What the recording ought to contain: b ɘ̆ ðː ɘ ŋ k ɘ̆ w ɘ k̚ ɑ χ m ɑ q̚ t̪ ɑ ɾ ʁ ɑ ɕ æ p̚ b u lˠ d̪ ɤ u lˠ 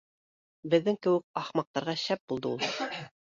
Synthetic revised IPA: b ɘ̆ ðː ɘ ŋ k ɘ̆ w ɘ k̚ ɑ χ m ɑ q̚ t̪ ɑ ɾ ʁ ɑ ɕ æ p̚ b u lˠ d̪ ɤ u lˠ